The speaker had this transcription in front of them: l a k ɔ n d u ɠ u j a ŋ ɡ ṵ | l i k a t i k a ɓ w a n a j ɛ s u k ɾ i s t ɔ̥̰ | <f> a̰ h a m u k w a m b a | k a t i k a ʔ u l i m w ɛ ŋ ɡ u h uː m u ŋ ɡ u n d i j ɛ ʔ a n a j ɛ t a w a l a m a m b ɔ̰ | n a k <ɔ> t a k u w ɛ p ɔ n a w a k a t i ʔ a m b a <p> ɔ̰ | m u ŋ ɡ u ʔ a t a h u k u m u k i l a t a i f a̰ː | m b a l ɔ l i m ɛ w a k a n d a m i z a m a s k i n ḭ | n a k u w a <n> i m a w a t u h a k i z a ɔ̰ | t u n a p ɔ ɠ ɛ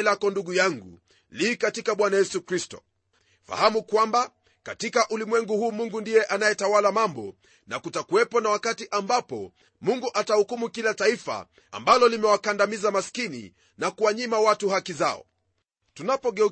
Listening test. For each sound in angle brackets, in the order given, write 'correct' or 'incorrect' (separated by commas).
correct, incorrect, correct, incorrect